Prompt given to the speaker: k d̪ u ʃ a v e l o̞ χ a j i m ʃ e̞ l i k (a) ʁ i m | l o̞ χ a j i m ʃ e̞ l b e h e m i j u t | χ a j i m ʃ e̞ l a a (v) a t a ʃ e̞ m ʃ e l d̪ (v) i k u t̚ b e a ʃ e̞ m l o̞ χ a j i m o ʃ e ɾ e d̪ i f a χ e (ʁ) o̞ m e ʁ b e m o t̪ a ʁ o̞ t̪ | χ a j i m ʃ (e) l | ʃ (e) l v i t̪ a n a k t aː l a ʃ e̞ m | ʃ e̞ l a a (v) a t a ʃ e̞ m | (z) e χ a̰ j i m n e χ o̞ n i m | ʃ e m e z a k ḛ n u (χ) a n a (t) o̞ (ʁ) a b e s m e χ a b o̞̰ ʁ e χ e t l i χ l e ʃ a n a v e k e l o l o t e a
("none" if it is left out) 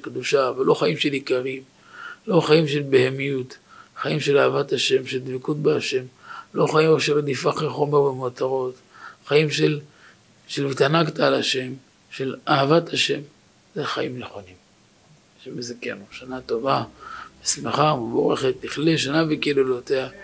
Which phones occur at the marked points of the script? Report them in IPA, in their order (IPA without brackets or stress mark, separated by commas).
a, v, v, χ, e, e, v, z, ʃ, t, v